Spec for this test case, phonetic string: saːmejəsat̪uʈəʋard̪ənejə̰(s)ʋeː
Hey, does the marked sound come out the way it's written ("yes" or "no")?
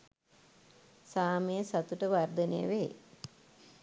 no